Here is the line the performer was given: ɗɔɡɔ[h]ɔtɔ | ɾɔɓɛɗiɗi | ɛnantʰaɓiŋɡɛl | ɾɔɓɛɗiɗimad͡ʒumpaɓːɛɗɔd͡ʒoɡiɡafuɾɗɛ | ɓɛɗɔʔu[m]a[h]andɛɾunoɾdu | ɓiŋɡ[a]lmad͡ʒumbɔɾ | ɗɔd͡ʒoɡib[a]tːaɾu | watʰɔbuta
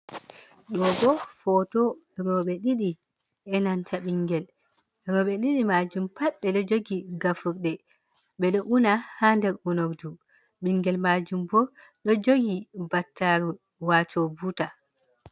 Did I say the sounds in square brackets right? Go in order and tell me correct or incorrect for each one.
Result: incorrect, incorrect, correct, incorrect, correct

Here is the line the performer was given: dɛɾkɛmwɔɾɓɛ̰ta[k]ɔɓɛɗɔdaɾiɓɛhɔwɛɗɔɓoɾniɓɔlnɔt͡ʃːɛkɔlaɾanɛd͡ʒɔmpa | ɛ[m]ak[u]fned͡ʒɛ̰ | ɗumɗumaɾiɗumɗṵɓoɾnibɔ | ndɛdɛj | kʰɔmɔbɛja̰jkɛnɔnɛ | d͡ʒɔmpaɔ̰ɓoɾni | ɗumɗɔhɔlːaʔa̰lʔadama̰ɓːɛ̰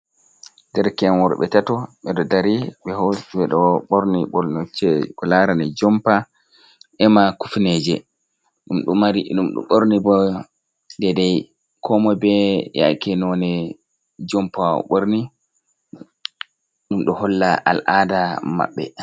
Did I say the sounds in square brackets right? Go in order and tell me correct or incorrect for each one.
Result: incorrect, correct, correct

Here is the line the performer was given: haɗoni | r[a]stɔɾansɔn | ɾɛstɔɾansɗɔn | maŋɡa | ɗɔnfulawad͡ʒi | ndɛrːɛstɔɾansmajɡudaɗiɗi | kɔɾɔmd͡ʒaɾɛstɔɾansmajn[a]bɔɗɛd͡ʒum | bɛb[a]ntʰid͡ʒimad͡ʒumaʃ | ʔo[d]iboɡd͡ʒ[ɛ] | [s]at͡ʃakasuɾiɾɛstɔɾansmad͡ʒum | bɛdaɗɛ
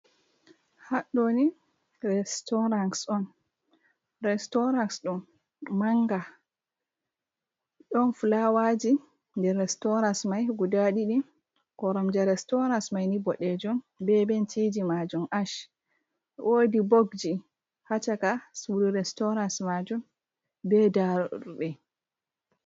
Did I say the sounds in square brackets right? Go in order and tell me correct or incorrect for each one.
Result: incorrect, incorrect, incorrect, correct, incorrect, incorrect

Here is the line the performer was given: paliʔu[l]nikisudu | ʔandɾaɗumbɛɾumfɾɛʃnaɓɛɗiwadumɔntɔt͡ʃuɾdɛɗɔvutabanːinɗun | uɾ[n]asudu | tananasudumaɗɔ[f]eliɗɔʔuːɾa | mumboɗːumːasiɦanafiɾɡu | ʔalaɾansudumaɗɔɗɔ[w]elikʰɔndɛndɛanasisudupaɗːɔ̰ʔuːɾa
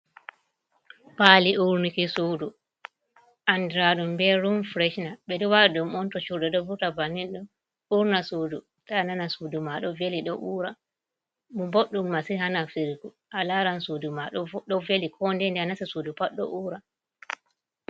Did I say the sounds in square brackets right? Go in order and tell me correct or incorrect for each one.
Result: incorrect, correct, incorrect, incorrect

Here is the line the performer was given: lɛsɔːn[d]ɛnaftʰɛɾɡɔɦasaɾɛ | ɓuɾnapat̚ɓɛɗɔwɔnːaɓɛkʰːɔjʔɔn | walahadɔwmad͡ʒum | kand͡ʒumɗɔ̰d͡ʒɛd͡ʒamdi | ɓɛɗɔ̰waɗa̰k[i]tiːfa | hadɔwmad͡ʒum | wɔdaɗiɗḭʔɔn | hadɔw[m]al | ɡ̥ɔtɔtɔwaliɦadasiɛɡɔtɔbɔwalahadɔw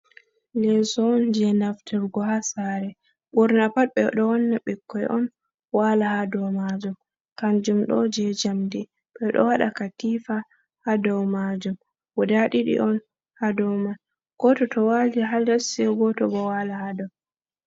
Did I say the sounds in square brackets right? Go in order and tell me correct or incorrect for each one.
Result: incorrect, incorrect, correct

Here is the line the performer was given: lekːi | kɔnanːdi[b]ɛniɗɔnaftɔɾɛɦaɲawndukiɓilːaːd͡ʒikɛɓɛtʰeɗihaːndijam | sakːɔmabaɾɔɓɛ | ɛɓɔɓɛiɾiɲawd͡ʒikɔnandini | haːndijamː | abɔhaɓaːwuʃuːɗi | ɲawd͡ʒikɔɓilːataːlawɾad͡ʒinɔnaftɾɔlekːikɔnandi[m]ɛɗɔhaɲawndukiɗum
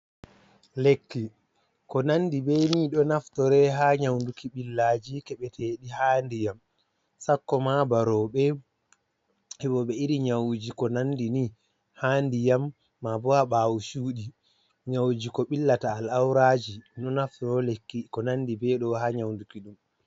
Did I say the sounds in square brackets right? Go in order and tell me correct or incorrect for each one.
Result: correct, incorrect

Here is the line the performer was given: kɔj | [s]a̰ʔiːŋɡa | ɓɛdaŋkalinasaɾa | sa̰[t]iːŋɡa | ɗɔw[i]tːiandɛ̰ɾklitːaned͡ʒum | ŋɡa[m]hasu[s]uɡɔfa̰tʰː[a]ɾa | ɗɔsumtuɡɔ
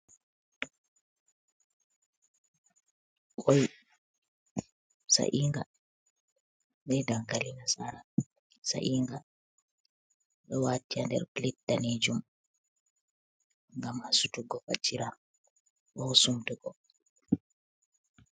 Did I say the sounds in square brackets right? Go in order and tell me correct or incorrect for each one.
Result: correct, incorrect, incorrect, correct, incorrect, incorrect

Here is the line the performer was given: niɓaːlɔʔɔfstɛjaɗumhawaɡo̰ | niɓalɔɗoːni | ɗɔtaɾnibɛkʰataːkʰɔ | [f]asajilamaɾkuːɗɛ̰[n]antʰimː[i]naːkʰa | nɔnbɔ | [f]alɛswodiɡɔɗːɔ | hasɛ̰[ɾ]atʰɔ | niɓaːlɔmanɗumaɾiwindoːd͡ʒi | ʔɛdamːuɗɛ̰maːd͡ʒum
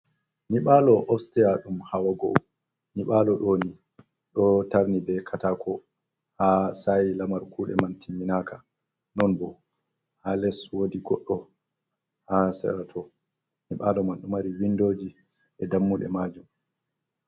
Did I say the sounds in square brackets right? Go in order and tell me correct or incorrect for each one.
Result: incorrect, incorrect, correct, incorrect, correct

